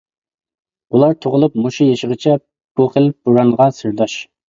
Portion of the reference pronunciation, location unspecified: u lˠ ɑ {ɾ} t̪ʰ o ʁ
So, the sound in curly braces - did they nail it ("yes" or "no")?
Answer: yes